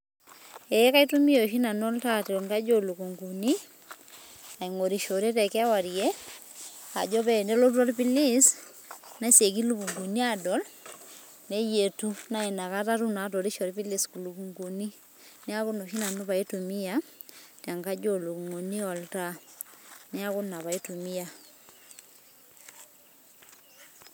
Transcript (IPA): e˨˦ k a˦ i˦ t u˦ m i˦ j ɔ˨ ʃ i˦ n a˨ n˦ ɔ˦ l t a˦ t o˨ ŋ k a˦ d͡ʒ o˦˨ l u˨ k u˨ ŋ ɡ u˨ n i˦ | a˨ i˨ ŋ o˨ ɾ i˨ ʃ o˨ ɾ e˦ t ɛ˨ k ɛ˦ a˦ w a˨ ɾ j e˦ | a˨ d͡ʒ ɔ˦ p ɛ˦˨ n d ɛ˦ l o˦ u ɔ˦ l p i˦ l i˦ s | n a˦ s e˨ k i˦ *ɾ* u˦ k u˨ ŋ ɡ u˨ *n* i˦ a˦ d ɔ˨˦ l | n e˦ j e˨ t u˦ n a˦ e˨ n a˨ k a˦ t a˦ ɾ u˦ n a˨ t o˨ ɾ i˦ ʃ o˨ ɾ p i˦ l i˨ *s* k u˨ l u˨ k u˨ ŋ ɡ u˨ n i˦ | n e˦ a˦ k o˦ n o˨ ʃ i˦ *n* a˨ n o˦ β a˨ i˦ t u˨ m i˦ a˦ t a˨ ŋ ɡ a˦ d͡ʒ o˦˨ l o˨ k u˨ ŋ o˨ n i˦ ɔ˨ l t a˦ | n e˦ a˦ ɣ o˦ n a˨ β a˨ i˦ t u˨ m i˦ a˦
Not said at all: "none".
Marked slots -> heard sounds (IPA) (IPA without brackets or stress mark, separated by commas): l, n, s, n